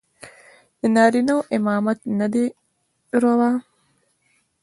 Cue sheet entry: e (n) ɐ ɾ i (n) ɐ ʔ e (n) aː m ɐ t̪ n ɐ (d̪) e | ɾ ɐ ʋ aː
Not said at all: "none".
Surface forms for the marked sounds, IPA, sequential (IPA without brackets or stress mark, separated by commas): n, n, m, d̪